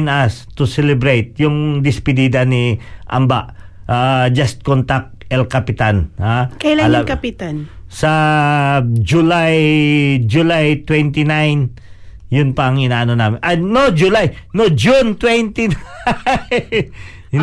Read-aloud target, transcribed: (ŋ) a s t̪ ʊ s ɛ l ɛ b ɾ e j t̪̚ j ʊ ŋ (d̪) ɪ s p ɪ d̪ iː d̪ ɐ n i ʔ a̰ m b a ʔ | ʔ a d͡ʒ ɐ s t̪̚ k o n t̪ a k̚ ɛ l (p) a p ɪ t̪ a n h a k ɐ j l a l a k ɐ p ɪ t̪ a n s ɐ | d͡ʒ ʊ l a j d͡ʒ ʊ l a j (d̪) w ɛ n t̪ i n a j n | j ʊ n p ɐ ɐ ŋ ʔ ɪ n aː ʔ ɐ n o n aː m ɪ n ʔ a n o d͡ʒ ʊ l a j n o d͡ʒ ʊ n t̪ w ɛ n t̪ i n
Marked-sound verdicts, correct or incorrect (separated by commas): incorrect, correct, incorrect, incorrect